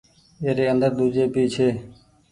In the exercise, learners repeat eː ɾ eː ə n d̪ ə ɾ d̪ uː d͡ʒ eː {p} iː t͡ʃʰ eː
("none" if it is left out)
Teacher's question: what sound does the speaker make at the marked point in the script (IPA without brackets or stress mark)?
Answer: p